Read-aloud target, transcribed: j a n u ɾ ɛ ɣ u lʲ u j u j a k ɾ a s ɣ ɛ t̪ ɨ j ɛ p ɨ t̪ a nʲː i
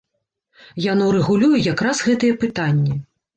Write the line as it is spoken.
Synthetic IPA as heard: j a n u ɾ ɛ ɣ u lʲ u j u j a k ɾ a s ɣ ɛ t̪ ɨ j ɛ p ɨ t̪ a nʲː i